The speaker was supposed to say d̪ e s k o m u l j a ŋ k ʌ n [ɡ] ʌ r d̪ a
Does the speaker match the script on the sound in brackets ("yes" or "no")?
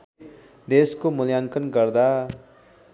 yes